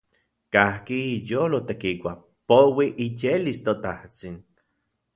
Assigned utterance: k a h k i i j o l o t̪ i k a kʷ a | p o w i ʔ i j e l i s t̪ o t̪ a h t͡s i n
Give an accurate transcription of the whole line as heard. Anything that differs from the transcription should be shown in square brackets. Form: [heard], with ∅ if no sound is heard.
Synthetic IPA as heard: k a h k i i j o l o t̪ [e] k [i] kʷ a | p o w i ʔ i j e l i s t̪ o t̪ a h t͡s i n